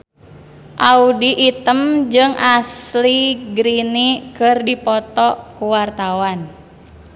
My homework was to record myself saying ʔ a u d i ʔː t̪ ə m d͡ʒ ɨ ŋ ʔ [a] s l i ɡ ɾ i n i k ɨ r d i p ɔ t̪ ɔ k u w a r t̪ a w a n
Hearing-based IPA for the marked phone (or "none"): a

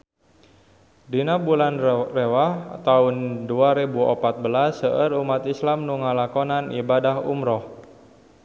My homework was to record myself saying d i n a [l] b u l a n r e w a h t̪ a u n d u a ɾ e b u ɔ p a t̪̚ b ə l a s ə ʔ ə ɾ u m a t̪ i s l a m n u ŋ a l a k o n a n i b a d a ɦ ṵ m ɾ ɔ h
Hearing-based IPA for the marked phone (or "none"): none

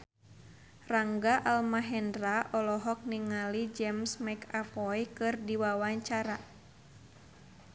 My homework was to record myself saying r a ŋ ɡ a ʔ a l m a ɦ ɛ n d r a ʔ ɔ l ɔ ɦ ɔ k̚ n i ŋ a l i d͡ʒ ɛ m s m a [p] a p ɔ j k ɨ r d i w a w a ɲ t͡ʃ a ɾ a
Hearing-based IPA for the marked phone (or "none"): k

